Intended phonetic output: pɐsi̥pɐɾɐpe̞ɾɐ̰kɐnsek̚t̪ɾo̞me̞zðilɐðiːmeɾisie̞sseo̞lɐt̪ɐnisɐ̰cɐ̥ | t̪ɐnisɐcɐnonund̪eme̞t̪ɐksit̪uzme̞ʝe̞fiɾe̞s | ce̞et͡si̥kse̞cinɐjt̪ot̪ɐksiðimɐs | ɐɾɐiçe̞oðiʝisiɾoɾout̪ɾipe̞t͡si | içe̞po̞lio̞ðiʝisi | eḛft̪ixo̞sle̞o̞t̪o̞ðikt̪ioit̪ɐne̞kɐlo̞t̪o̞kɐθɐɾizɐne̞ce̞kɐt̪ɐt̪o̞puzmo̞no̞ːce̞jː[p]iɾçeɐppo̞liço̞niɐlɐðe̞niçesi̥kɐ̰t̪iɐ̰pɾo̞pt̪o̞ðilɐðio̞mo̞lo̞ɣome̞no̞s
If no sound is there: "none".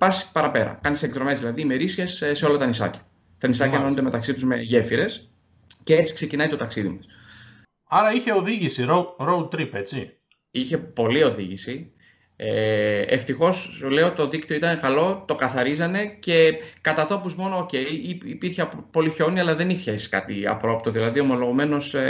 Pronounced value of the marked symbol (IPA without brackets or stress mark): p